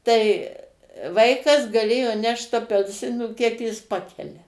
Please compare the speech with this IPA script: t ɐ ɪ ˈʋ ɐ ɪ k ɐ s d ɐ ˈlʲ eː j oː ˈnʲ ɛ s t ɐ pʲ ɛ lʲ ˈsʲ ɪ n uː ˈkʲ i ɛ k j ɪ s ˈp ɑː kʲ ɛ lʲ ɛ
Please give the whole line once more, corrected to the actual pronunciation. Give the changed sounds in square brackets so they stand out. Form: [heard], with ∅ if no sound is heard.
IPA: t ɐ ɪ ˈʋ ɐ ɪ k ɐ s [ɡ] ɐ ˈlʲ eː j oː ˈnʲ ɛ [ʃ] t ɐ pʲ ɛ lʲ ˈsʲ ɪ n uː ˈkʲ i ɛ k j ɪ s ˈp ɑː kʲ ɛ lʲ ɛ